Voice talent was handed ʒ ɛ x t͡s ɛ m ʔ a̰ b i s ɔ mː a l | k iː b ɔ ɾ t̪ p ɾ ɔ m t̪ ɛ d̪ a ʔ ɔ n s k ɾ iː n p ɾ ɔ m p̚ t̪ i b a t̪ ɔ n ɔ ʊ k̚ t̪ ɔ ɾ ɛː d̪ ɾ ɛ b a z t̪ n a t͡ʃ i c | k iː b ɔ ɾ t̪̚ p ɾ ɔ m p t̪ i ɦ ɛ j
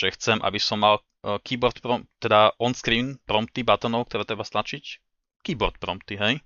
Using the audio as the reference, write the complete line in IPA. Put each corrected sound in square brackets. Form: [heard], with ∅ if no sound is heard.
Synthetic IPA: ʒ ɛ x t͡s ɛ m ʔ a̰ b i s ɔ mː a l | k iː b ɔ ɾ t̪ p ɾ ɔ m t̪ ɛ d̪ a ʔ ɔ n s k ɾ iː n p ɾ ɔ m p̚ t̪ i b a t̪ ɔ n ɔ ʊ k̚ t̪ ɔ ɾ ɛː [t̪] ɾ ɛ b a [s] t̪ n a t͡ʃ i c | k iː b ɔ ɾ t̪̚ p ɾ ɔ m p t̪ i ɦ ɛ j